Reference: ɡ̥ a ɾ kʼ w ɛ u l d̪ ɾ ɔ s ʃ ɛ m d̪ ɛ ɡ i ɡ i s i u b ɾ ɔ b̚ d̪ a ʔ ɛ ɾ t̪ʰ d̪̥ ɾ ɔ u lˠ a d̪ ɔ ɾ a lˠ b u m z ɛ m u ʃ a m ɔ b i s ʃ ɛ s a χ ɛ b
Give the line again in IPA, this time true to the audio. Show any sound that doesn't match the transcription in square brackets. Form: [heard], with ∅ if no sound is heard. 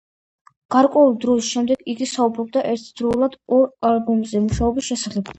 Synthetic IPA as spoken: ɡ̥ a ɾ kʼ w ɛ u l d̪ ɾ ɔ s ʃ ɛ m d̪ ɛ ɡ i ɡ i s [a] u b ɾ ɔ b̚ d̪ a ʔ ɛ ɾ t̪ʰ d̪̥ ɾ ɔ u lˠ a d̪ ɔ ɾ a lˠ b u m z ɛ m u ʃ a [∅] ɔ b i s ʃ ɛ s a χ ɛ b